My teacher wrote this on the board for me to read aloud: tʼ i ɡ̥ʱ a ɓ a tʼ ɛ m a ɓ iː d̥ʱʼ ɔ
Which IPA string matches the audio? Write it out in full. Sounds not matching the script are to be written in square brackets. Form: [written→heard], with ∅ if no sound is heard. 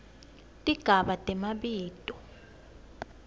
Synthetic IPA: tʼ i ɡ̥ʱ a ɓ a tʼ ɛ m a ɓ iː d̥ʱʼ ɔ